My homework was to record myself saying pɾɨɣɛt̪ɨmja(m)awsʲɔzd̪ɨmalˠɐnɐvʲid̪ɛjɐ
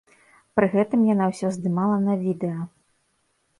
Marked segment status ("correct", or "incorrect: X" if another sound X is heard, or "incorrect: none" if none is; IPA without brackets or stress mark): incorrect: n